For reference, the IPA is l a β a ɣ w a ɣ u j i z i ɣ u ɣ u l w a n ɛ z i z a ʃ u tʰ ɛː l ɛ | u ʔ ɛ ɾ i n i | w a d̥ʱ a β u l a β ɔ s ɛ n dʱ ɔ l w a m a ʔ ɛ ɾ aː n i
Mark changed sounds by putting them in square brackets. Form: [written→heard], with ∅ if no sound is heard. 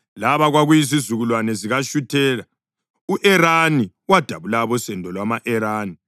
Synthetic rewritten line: l a β a ɣ w a ɣ u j i z i [ɣ→z] u ɣ u l w a n ɛ z i [z→ɣ] a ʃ u tʰ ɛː l [ɛ→a] | u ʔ ɛ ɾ [i→a] n i | w a d̥ʱ a β u l a β ɔ s ɛ n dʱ ɔ l w a m a ʔ ɛ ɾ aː n i

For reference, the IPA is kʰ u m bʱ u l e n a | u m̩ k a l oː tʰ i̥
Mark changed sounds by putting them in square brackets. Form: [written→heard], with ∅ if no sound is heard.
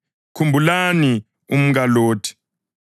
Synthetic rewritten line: kʰ u m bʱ u l [e→a] n [a→i] | u m̩ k a l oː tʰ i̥

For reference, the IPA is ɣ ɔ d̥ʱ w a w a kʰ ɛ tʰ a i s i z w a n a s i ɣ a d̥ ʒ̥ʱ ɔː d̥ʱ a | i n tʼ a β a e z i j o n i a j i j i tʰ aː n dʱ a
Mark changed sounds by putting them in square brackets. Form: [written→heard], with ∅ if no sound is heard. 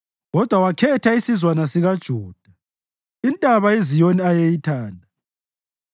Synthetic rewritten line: ɣ ɔ d̥ʱ w a w a kʰ ɛ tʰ a i s i z w a n a s i ɣ a d̥ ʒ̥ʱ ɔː d̥ʱ a | i n tʼ a β a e z i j o n i a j [i→e] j i tʰ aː n dʱ a

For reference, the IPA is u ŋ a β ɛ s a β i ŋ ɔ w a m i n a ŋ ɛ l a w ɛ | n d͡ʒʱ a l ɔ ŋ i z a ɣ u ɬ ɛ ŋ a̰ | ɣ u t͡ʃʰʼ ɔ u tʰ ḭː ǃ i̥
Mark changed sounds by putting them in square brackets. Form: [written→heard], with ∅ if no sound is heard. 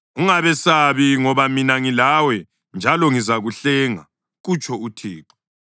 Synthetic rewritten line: u ŋ a β ɛ s a β i ŋ ɔ [w→β] a m i n a ŋ [ɛ→i] l a w ɛ | n d͡ʒʱ a l ɔ ŋ i z a ɣ u ɬ ɛ ŋ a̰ | ɣ u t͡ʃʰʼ ɔ u tʰ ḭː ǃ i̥

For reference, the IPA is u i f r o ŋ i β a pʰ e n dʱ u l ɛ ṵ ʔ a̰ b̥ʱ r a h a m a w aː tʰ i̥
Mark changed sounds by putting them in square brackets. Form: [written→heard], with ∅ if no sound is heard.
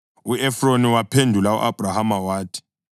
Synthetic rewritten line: u [i→ɛ] f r o [ŋ→n] i [β→w] a pʰ e n dʱ u l [ɛ→a] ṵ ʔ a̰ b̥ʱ r a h a m a w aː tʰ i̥

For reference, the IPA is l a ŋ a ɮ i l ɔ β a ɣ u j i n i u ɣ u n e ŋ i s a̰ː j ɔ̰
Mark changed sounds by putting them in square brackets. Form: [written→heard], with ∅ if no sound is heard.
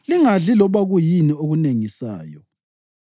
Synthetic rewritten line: l [a→i] ŋ a ɮ i l ɔ β a ɣ u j i n i [u→o] ɣ u n e ŋ i s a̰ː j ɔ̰

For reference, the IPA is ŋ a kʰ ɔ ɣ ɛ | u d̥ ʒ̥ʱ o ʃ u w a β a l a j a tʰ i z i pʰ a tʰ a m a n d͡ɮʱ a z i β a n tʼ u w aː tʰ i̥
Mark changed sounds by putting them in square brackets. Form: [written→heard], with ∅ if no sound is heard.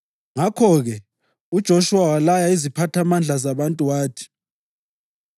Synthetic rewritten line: ŋ a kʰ ɔ ɣ ɛ | u d̥ ʒ̥ʱ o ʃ u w a [β→w] a l a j a [tʰ→∅] i z i pʰ a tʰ a m a n d͡ɮʱ a z [i→a] β a n tʼ u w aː tʰ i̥

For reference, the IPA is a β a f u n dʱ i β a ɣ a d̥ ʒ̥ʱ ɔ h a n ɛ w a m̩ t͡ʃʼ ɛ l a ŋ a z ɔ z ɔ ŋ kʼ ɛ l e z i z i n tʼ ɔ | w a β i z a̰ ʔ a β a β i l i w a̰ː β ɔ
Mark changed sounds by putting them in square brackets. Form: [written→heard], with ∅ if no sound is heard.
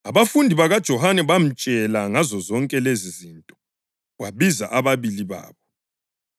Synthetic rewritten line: a β a f u n dʱ i β a ɣ a d̥ ʒ̥ʱ ɔ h a n ɛ [w→β] a m̩ t͡ʃʼ ɛ l a ŋ a z ɔ z ɔ ŋ kʼ ɛ l e z i z i n tʼ ɔ | w a β i z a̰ ʔ a β a β i l i [w→β] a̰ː β ɔ

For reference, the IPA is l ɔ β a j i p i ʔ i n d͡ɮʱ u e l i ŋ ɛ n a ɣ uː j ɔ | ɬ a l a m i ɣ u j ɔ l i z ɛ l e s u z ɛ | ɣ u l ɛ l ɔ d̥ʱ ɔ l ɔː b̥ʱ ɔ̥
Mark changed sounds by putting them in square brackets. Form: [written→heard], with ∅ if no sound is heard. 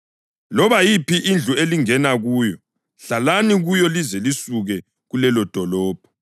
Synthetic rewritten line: l ɔ β a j i p i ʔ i n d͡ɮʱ u e l i ŋ ɛ n a ɣ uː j ɔ | ɬ a l a [m→n] i ɣ u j ɔ l i z ɛ l [e→i] s u [z→ɣ] ɛ | ɣ u l ɛ l ɔ d̥ʱ ɔ l ɔː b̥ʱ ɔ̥

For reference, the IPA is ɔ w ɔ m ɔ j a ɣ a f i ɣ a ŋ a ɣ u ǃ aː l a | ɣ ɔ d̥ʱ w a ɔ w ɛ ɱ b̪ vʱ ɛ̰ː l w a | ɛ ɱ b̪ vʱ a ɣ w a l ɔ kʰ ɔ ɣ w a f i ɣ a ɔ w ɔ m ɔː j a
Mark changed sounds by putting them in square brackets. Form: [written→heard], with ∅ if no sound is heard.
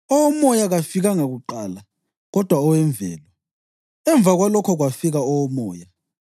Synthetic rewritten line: ɔ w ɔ m ɔ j a ɣ a f i ɣ a ŋ a ɣ u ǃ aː l a | ɣ ɔ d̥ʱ w a ɔ w ɛ ɱ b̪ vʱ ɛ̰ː l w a | ɛ ɱ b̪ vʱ a ɣ w a l ɔ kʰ ɔ ɣ w a f i ɣ a ɔ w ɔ m ɔː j a

